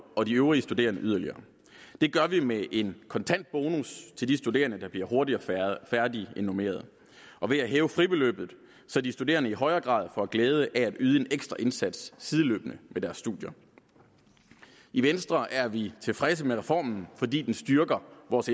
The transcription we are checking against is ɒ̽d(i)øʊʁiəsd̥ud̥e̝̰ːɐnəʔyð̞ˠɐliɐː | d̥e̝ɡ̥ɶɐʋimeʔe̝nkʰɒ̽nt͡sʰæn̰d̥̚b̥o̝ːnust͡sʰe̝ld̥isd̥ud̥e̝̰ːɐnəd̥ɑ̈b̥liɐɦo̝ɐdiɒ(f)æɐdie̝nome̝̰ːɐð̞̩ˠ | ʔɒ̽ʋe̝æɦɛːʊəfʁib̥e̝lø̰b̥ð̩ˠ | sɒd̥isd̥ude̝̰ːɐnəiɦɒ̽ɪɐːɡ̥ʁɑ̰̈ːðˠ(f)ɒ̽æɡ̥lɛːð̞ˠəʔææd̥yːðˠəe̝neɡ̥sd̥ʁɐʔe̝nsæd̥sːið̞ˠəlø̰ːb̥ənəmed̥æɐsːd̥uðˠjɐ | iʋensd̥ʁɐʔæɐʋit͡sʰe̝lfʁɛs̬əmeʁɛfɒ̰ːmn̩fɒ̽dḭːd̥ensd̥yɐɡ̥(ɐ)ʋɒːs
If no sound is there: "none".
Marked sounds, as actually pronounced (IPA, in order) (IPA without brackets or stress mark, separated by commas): i, f, f, ɐ